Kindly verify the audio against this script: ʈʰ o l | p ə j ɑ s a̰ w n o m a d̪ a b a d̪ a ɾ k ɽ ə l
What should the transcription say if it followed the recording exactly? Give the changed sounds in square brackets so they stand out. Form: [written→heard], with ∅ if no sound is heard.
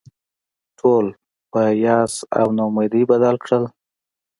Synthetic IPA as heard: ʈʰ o l | p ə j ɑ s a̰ w n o m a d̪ [a→i] b a d̪ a [ɾ→l] k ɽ ə l